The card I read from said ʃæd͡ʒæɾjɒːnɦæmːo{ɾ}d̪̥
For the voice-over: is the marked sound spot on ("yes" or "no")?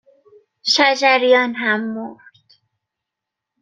yes